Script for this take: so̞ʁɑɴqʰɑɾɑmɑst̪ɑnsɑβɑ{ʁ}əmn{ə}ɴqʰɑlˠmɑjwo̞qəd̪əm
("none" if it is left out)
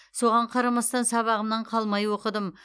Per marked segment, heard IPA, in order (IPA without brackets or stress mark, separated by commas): ʁ, ɑ